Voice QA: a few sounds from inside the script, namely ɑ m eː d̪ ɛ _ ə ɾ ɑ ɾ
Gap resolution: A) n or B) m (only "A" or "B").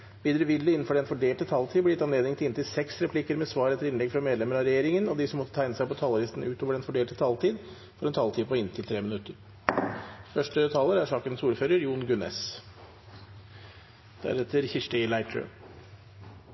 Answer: B